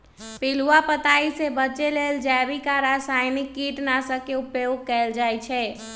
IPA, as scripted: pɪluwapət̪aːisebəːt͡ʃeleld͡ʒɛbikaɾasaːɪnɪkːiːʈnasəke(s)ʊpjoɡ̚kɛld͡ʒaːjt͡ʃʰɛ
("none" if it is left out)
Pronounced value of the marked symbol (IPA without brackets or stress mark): none